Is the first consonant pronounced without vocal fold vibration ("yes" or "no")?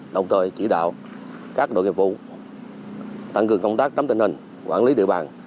no